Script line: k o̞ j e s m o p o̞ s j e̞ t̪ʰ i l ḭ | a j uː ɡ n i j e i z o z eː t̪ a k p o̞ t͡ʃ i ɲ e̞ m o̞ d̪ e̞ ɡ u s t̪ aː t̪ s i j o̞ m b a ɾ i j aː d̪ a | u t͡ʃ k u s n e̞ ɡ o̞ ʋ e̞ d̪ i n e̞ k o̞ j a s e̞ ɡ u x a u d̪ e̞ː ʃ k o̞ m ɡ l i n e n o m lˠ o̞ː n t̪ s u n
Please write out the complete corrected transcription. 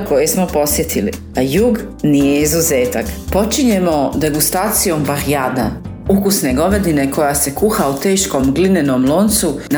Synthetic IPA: k o̞ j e s m o p o̞ s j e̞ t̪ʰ i l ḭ | a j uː ɡ n i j e i z u z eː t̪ a k p o̞ t͡ʃ i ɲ e̞ m o̞ d̪ e̞ ɡ u s t̪ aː t̪ s i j o̞ m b a ɾ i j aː d̪ a | u k u s n e̞ ɡ o̞ ʋ e̞ d̪ i n e̞ k o̞ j a s e̞ k u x a u t̪ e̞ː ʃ k o̞ m ɡ l i n e n o m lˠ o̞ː n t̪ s u n